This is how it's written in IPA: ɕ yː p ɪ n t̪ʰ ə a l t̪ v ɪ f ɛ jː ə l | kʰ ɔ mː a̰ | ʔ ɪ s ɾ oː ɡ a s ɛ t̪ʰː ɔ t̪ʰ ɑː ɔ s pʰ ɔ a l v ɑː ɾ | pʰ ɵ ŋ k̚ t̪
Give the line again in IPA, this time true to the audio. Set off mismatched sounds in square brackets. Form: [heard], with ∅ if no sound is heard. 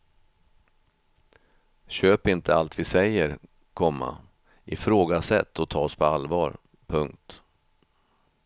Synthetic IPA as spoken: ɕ [øː] p ɪ n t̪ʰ ə a l t̪ v ɪ [s] ɛ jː ə [ɾ] | kʰ ɔ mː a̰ | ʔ ɪ [f] ɾ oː ɡ a s ɛ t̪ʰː ɔ t̪ʰ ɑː ɔ s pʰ ɔ a l v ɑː ɾ | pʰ ɵ ŋ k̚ t̪